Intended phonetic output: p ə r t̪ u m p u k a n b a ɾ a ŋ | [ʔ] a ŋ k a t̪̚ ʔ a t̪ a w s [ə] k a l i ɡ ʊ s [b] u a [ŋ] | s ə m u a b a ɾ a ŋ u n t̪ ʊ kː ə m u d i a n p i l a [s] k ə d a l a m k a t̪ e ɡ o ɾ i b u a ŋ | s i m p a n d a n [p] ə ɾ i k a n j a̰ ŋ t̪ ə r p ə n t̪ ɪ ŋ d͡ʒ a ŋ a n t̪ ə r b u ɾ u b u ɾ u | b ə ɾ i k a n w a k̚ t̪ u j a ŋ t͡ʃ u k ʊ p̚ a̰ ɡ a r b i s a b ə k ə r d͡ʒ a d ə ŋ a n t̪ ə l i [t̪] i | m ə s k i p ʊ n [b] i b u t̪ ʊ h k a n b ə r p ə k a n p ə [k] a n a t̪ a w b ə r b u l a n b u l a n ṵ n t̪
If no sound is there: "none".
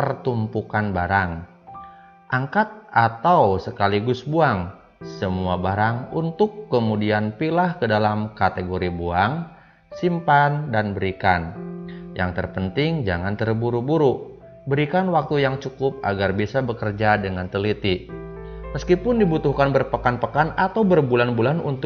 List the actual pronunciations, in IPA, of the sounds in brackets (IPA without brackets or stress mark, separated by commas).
ʔ, ə, b, ŋ, h, b, t̪, d, k